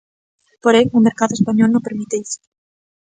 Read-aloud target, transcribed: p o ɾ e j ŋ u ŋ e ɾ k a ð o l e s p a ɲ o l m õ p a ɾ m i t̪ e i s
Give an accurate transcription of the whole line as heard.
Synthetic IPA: p o ɾ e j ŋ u m e ɾ k a ð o e s p a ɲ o l n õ p e ɾ m i t̪ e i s